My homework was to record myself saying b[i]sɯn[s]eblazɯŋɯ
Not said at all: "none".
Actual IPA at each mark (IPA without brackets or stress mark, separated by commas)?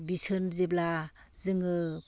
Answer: i, z